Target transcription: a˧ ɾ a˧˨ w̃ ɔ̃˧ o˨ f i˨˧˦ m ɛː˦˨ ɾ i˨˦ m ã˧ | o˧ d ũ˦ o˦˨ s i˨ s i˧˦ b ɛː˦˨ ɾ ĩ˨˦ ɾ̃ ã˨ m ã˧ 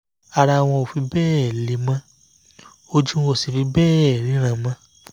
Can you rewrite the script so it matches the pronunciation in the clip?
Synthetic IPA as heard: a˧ ɾ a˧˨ w̃ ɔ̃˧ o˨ f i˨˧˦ b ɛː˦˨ l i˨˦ m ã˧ | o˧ d͡ʒ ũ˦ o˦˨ s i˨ f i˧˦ b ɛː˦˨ ɾ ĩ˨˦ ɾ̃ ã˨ m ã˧

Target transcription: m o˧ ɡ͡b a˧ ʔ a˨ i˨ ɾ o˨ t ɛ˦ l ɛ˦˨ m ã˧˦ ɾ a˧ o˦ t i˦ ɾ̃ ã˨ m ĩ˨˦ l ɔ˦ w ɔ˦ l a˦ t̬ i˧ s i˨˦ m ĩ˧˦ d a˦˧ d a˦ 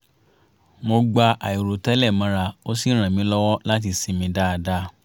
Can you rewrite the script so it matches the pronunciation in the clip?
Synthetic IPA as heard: m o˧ ɡ͡b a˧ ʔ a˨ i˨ ɾ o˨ t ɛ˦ l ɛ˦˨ m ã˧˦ ɾ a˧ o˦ s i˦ ɾ̃ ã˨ m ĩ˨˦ l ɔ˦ w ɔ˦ l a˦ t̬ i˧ s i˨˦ m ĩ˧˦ d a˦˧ d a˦

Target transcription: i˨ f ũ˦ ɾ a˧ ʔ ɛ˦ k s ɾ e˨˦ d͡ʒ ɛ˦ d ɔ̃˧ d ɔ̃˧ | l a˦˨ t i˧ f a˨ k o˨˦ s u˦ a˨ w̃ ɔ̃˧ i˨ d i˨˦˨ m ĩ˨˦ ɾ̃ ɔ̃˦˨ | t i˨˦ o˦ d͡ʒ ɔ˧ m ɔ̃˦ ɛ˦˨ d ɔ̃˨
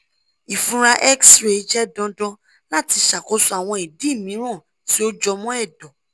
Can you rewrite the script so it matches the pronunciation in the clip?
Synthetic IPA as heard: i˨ f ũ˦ ɾ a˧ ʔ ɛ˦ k s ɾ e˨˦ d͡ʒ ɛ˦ d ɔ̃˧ d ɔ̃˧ | l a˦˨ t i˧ ʃ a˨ k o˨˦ s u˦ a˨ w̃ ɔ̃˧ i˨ d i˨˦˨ m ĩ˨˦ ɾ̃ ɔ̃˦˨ | t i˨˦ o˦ d͡ʒ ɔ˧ m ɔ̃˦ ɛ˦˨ d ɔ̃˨

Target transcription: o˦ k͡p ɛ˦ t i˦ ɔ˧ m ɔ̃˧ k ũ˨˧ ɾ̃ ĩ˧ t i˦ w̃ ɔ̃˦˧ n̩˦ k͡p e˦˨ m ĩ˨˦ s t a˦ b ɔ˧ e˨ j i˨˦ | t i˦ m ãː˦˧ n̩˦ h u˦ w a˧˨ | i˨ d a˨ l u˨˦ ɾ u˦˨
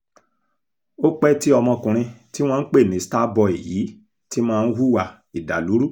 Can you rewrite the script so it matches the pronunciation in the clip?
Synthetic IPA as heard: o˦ k͡p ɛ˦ t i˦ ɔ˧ m ɔ̃˧ k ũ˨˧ ɾ̃ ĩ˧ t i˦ w̃ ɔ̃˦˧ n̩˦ k͡p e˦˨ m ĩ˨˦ s t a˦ b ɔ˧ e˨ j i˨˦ | t i˦ m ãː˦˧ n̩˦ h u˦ w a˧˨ | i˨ d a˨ l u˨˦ ɾ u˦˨

